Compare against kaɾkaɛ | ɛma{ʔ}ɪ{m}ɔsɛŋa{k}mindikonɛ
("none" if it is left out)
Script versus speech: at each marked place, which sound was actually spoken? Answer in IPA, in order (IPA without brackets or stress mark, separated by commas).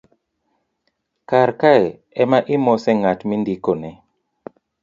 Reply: ʔ, m, t